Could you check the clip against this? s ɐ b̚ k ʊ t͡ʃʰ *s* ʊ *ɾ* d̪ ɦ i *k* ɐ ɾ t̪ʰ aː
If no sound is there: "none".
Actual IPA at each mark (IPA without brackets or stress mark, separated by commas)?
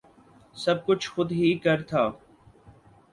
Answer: x, none, k